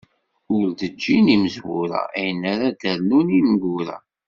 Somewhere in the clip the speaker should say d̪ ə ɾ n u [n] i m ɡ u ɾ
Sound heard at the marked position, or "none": n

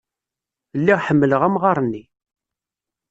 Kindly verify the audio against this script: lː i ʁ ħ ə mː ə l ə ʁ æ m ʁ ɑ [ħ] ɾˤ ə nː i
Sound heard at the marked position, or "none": none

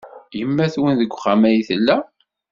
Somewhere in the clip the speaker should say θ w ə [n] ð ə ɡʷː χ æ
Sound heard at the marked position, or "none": n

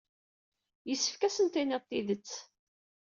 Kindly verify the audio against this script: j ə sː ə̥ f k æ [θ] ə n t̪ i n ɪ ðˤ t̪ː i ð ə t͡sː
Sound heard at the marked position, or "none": s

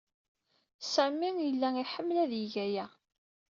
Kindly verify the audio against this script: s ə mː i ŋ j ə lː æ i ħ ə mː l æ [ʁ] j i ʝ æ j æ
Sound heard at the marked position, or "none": ð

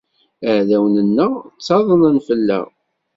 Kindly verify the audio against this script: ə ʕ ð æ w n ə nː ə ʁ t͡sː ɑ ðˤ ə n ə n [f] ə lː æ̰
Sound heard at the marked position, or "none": f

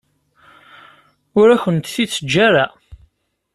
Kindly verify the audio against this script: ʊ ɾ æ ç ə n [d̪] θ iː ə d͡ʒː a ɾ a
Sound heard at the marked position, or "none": t̪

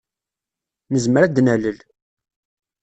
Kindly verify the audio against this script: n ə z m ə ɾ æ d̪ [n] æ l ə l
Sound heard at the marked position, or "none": n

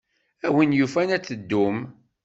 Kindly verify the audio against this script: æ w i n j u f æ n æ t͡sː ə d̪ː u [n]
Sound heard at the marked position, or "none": m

